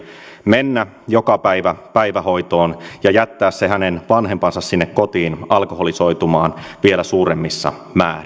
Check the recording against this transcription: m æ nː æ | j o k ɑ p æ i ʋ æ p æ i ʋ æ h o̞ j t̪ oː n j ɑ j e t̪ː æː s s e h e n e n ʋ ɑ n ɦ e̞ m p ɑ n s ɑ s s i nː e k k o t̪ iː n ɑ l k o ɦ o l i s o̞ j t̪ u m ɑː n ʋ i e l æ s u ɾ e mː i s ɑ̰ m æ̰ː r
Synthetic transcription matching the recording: m e nː æ | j o k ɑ p æ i ʋ æ p æ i ʋ æ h o̞ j t̪ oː n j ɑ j æ t̪ː æː s s e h æ n e n ʋ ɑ n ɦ e̞ m p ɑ n s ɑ s s i nː e k k o t̪ iː n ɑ l k o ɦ o l i s o̞ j t̪ u m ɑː n ʋ i e l æ s uː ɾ e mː i sː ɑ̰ m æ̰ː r